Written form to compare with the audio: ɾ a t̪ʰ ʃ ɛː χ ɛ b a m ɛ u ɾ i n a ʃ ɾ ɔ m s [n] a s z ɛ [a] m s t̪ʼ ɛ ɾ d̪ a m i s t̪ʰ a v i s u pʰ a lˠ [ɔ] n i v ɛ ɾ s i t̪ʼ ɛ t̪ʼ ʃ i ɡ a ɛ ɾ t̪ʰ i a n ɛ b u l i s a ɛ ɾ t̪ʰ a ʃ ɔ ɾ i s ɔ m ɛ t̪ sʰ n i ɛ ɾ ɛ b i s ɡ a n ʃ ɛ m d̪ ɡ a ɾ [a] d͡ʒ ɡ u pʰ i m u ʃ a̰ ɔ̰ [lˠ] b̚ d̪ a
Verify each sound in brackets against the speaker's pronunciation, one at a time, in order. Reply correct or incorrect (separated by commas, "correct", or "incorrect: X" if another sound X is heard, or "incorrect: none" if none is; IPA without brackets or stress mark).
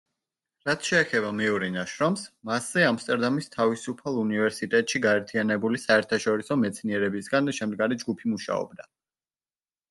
incorrect: m, correct, incorrect: u, incorrect: i, incorrect: none